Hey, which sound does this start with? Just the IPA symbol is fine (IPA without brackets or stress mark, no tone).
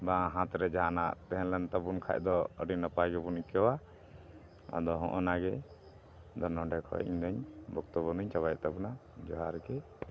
b